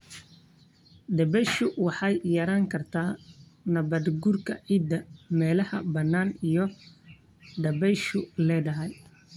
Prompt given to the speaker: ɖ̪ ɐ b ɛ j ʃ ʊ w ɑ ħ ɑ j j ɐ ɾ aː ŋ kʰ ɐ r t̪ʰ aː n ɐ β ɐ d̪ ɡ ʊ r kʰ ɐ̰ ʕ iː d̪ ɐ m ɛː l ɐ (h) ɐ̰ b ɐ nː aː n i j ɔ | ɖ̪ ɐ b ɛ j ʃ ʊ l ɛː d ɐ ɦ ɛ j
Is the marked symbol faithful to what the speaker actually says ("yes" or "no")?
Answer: yes